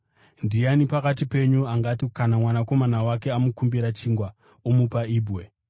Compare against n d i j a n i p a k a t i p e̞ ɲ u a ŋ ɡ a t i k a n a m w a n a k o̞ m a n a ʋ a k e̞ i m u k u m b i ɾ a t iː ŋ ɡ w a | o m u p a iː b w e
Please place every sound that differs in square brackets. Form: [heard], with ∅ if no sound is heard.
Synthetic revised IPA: n d i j a n i p a k a t i p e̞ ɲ u a ŋ ɡ a t i k a n a m w a n a k o̞ m a n a [w] a k e̞ [a] m u k u m b i ɾ a [t͡ʃ] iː ŋ ɡ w a | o m u p a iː b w e